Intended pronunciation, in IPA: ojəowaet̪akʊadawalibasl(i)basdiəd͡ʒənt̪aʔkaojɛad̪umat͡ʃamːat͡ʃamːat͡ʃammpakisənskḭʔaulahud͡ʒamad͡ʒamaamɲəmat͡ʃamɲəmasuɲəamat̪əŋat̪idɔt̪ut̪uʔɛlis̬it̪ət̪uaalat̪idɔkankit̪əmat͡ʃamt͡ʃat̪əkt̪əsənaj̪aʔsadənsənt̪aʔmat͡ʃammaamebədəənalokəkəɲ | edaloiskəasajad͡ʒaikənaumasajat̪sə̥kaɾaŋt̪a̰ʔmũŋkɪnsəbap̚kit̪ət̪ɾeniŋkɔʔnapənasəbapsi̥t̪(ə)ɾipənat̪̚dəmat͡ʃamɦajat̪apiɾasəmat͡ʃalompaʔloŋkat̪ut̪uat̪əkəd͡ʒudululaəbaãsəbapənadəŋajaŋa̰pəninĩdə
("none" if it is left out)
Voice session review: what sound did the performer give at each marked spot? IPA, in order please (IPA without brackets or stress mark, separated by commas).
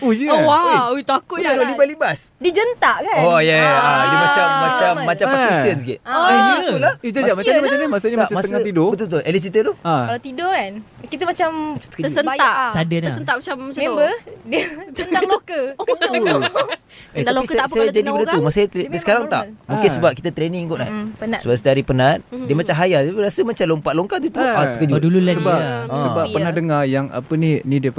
i, a